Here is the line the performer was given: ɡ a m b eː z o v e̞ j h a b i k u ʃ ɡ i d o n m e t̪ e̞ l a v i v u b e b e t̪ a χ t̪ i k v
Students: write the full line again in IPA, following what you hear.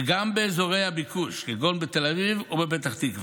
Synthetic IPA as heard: ɡ a m b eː z o ʁ e̞ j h a b i k u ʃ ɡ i ɡ o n b e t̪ e̞ l a v i v u b e b e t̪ a χ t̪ i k v